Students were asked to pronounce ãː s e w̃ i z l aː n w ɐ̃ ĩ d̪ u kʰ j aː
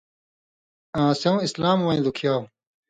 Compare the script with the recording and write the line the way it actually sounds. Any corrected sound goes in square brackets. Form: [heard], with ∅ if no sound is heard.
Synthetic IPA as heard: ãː s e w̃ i [s] l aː [m] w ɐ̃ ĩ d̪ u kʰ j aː